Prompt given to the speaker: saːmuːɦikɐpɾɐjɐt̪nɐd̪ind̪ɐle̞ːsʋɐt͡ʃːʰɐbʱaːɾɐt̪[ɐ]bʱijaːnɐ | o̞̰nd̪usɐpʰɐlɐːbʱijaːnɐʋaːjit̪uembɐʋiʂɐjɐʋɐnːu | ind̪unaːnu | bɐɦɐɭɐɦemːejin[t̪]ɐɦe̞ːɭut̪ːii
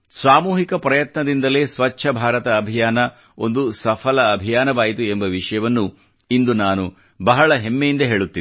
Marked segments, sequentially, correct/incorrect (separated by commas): incorrect, incorrect